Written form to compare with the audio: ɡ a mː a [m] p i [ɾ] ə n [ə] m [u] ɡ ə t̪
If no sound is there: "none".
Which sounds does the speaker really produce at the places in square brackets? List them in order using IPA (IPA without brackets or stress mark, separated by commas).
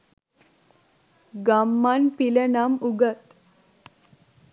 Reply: n, l, a, u